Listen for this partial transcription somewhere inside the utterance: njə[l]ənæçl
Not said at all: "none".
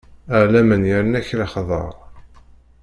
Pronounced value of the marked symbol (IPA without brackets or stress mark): ɾ